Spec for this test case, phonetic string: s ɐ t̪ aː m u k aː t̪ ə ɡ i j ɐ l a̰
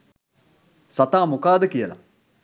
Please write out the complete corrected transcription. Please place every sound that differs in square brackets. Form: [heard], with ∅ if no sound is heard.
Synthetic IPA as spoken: s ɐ t̪ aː m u k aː [d̪] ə [k] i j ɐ l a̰